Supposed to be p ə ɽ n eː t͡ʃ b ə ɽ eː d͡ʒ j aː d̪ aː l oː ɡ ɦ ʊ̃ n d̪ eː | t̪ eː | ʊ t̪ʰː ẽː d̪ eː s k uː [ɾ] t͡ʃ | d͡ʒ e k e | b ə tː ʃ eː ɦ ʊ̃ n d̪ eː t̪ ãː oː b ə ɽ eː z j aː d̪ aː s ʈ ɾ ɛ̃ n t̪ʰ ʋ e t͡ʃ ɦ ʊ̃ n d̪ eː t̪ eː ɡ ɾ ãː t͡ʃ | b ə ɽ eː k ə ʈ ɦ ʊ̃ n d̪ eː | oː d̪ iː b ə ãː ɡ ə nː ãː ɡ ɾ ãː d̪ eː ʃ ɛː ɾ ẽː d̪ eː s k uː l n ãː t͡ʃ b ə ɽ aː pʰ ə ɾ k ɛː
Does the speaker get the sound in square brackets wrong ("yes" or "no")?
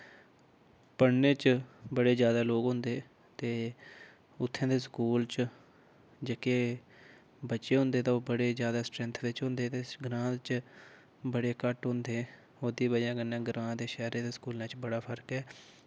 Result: yes